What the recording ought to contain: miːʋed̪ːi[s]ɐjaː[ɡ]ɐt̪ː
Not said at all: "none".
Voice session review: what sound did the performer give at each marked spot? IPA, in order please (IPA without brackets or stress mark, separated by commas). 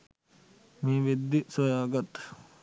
s, ɡ